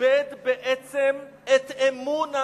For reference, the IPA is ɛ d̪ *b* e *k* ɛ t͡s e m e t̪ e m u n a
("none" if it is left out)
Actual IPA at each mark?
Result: b, ʔ

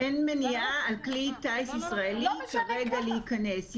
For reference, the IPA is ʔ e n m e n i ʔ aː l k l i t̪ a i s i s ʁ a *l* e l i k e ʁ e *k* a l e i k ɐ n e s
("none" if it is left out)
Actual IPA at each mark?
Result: none, ɡ

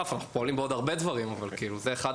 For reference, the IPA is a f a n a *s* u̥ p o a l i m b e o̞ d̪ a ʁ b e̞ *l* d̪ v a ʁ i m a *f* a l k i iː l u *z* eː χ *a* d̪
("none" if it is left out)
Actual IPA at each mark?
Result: χ, none, v, z, a

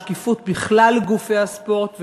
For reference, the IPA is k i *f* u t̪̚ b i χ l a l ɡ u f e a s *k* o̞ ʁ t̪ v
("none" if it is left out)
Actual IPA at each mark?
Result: f, p

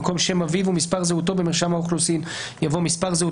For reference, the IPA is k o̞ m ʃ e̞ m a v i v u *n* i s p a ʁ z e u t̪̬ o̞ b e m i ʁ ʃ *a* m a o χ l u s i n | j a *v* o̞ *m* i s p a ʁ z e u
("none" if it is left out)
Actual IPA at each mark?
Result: m, a, v, m

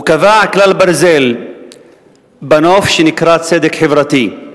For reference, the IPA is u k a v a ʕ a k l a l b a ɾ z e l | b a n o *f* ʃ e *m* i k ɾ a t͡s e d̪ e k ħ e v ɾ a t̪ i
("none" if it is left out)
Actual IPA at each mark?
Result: f, n

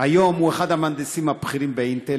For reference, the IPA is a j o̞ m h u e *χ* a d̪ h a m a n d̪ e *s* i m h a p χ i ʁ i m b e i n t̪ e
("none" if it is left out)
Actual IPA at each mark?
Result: χ, s

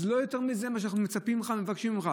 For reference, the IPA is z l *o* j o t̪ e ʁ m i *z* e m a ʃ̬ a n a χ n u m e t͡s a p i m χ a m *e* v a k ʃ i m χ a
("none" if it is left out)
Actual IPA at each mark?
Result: o, z, e

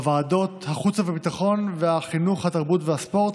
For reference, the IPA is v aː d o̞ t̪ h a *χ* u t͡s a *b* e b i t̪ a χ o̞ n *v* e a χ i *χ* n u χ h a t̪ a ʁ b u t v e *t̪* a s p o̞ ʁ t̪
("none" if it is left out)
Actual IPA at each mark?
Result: χ, v, v, none, none

